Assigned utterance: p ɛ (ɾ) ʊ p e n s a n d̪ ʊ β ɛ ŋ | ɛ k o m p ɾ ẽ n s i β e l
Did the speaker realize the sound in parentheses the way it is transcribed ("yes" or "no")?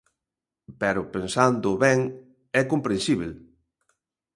yes